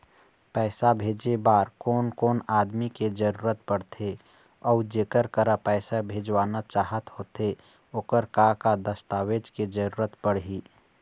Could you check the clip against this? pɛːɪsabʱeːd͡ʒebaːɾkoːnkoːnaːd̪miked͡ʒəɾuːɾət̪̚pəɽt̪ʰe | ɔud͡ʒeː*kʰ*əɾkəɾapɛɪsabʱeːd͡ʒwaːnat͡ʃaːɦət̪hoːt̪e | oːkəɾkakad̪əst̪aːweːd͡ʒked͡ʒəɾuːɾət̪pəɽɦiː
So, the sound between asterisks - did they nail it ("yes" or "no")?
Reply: no